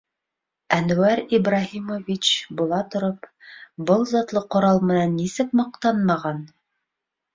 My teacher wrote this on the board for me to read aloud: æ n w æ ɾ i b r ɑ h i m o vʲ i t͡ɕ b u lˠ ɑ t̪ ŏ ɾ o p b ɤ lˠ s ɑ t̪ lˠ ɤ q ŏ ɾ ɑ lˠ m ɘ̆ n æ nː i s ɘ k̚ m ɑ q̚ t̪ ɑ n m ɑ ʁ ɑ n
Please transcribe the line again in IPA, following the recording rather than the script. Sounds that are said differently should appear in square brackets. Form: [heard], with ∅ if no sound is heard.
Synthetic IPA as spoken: æ n w æ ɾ i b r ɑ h i m o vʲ i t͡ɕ b u lˠ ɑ t̪ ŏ ɾ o p b ɤ lˠ [z] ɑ t̪ lˠ ɤ q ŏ ɾ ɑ lˠ m ɘ̆ n æ nː i s ɘ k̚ m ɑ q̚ t̪ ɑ n m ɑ ʁ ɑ n